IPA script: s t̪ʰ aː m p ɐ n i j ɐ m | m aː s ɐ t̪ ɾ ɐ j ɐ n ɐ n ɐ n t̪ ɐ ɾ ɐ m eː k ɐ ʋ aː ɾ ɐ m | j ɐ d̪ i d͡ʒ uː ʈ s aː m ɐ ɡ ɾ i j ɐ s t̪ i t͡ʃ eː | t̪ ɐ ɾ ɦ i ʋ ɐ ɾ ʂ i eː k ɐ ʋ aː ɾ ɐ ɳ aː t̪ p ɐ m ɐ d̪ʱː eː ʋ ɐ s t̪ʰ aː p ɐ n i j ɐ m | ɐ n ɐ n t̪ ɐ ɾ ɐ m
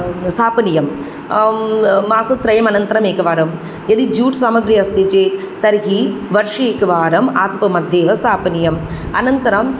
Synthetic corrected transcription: s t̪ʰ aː p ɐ n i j ɐ m | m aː s ɐ t̪ ɾ ɐ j ɐ m ɐ n ɐ n t̪ ɐ ɾ ɐ m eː k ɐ ʋ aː ɾ ɐ m | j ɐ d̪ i d͡ʒ uː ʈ s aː m ɐ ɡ ɾ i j ɐ s t̪ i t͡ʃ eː | t̪ ɐ ɾ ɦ i ʋ ɐ ɾ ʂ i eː k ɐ ʋ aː ɾ ɐ m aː t̪ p ɐ m ɐ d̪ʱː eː ʋ ɐ s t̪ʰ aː p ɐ n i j ɐ m | ɐ n ɐ n t̪ ɐ ɾ ɐ m